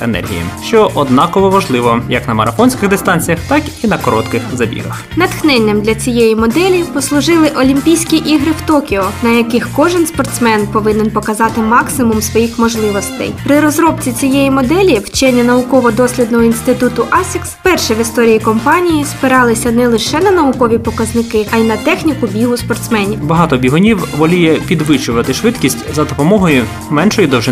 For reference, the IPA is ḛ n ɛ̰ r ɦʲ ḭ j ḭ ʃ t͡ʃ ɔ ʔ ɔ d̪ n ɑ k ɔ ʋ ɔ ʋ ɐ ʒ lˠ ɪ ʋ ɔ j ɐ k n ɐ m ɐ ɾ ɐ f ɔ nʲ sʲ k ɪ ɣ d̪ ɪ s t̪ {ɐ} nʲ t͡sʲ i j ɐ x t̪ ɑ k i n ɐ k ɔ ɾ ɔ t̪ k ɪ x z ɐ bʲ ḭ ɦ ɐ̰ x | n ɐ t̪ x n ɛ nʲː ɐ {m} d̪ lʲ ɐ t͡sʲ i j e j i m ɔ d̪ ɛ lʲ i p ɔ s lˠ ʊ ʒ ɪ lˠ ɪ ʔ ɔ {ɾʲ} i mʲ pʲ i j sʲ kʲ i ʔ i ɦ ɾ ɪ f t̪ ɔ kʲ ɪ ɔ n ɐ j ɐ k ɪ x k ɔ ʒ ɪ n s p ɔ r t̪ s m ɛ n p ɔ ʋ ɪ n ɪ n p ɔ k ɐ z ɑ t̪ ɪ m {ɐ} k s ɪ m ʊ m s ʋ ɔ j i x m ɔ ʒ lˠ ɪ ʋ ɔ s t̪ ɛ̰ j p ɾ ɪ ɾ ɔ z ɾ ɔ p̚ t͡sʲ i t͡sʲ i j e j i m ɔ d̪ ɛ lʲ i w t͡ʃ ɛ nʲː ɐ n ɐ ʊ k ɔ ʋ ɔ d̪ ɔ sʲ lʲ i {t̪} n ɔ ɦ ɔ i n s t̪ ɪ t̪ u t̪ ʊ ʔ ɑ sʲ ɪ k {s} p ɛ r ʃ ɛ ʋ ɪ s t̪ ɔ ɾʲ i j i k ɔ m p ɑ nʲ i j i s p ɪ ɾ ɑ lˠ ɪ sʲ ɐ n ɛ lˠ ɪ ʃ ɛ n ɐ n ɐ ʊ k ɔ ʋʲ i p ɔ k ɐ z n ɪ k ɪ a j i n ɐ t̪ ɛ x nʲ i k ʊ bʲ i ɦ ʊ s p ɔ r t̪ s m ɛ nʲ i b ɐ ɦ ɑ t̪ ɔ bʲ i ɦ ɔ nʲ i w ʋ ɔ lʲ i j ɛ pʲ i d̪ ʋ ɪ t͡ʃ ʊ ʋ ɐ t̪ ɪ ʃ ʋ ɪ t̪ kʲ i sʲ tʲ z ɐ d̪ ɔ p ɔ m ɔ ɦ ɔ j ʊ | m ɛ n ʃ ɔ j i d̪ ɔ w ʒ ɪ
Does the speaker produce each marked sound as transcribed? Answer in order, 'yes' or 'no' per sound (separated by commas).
no, yes, no, no, no, yes